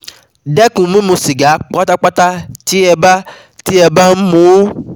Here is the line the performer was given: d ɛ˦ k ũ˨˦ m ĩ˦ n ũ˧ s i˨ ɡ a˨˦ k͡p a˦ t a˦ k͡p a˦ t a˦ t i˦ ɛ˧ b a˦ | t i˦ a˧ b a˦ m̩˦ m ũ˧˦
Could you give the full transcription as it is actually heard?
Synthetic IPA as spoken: d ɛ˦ k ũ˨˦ m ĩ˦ m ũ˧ s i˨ ɡ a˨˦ k͡p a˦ t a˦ k͡p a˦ t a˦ t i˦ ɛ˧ b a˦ | t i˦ ɛ˧ b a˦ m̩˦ m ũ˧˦